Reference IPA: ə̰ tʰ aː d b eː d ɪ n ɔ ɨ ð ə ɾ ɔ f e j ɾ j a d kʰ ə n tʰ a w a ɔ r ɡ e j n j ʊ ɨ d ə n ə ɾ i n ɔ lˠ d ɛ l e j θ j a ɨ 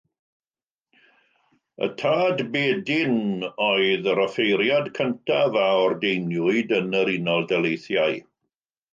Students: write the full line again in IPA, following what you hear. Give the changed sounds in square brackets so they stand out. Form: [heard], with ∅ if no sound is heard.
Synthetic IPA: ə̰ tʰ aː d b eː d ɪ n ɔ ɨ ð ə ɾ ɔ f e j ɾ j a d kʰ ə n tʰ a [v] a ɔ r [d] e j n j ʊ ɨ d ə n ə ɾ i n ɔ lˠ d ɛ l e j θ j a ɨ

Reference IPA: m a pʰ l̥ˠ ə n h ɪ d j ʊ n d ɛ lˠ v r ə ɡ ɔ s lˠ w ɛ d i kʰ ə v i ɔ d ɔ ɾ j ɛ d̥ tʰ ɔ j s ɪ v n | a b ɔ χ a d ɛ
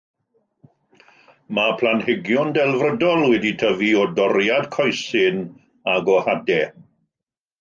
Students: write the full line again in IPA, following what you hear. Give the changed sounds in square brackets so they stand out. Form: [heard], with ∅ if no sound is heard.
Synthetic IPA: m a pʰ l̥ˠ [a] n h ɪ [ɡ] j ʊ n d ɛ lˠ v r ə [d] ɔ [∅] lˠ w ɛ d i [tʰ] ə v i ɔ d ɔ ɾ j [a] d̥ [kʰ] ɔ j s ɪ [∅] n | a [ɡ] ɔ [h] a d ɛ

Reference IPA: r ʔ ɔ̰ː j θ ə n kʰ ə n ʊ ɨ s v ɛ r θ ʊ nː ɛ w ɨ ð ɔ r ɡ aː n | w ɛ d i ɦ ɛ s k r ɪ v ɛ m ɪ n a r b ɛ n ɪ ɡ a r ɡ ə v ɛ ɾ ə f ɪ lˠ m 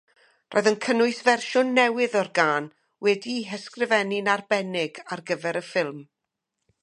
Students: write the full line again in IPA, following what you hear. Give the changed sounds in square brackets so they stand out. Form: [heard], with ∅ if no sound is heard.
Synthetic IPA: r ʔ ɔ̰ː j [ð] ə n kʰ ə n ʊ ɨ s v ɛ r [ʃ] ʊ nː ɛ w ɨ ð ɔ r ɡ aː n | w ɛ d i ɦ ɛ s k r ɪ v ɛ [n] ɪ n a r b ɛ n ɪ ɡ a r ɡ ə v ɛ ɾ ə f ɪ lˠ m

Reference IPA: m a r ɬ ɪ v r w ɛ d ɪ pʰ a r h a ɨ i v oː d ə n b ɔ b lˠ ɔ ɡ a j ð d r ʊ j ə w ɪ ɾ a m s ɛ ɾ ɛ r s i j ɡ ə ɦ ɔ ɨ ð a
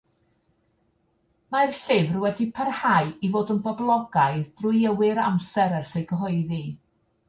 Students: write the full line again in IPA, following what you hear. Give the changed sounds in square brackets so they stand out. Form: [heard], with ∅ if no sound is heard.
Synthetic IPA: m a r ɬ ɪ v r w ɛ d [i] pʰ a r h a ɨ i v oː d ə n b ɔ b lˠ ɔ ɡ a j ð d r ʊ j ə w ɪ ɾ a m s ɛ ɾ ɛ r s [e] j ɡ ə ɦ ɔ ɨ ð [i]

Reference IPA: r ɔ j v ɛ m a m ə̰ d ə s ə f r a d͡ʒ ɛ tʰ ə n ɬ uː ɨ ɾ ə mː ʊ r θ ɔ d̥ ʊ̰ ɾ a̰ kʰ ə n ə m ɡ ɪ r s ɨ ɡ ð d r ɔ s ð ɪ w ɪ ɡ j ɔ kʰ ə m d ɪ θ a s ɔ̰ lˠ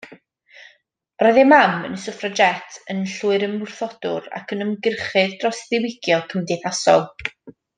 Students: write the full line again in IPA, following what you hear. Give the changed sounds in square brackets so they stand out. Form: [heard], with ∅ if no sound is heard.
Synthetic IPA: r ɔ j [ð] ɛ m a m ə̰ [n] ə s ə f r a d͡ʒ ɛ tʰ ə n ɬ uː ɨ ɾ ə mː ʊ r θ ɔ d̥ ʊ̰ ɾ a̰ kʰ ə n ə m ɡ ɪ r [χ] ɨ [∅] ð d r ɔ s ð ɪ w ɪ ɡ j ɔ kʰ ə m d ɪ θ a s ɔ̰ lˠ

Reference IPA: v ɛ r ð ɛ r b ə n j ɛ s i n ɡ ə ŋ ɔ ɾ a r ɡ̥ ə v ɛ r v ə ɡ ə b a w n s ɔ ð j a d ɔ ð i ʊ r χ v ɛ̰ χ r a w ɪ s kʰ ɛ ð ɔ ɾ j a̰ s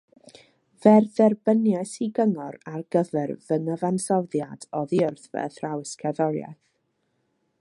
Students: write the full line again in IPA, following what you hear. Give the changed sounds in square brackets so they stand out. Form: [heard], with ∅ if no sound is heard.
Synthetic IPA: v ɛ r ð ɛ r b ə n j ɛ s i [∅] ɡ ə ŋ ɔ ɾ a r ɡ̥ ə v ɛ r v ə [ŋ] ə [v] a [∅] n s ɔ ð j a d ɔ ð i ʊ r [θ] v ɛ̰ [θ] r a w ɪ s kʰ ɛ ð ɔ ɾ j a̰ [θ]

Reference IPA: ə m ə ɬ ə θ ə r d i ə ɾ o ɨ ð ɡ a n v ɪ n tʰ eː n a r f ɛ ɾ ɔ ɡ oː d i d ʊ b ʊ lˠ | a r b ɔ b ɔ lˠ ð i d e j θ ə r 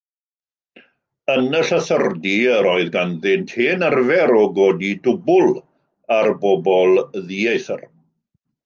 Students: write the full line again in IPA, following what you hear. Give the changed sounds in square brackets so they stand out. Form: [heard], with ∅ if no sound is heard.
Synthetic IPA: ə [n] ə ɬ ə θ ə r d i ə ɾ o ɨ ð ɡ a n [ð] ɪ n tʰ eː n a r [v] ɛ ɾ ɔ ɡ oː d i d ʊ b ʊ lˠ | a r b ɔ b ɔ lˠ ð i [∅] e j θ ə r

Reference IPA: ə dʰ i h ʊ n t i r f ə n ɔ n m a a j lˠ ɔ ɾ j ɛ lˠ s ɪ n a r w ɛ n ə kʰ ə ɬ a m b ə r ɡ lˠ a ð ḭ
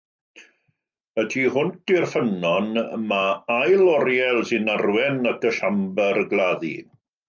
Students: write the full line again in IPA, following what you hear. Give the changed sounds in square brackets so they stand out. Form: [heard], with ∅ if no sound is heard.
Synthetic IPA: ə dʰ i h ʊ n t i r f ə n ɔ n m a a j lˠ ɔ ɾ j ɛ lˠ s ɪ n a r w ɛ n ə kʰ ə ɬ a m b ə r ɡ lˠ a ð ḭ

